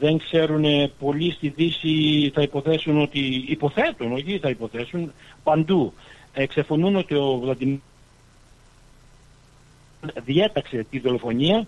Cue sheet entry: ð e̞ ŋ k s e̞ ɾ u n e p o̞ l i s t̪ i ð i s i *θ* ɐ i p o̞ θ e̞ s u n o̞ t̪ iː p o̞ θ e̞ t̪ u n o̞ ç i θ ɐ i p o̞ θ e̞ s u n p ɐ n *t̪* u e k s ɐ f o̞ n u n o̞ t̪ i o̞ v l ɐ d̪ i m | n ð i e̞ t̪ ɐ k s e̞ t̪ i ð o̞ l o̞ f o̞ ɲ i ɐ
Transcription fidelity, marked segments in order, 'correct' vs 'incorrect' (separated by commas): correct, incorrect